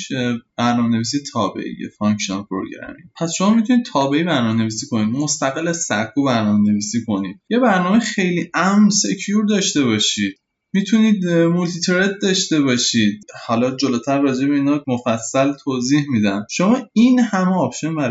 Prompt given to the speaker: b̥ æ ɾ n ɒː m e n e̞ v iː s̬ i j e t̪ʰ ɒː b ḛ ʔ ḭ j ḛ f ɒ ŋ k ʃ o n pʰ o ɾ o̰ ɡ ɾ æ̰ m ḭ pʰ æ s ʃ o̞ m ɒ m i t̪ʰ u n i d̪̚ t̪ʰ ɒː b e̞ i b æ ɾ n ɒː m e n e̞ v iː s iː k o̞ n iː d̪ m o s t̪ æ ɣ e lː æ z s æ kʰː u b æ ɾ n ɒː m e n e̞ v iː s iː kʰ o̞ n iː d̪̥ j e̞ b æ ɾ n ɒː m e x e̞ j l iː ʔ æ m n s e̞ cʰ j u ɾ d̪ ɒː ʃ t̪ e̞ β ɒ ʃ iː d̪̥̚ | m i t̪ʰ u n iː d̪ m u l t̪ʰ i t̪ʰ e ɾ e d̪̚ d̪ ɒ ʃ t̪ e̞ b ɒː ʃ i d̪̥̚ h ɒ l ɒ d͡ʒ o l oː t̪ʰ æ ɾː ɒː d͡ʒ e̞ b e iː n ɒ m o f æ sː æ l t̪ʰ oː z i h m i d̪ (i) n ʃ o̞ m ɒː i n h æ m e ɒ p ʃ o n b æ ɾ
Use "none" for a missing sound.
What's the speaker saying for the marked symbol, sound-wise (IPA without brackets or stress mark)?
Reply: æ